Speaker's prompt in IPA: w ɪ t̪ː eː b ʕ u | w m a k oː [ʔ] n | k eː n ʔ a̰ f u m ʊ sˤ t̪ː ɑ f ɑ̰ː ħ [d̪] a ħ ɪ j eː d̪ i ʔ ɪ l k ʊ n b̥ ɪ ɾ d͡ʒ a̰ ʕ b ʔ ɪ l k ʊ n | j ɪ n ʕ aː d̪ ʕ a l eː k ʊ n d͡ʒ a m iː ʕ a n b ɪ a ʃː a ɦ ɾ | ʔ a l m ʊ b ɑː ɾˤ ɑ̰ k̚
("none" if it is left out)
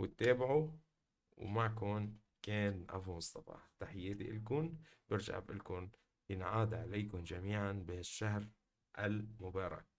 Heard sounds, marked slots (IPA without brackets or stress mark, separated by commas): none, t̪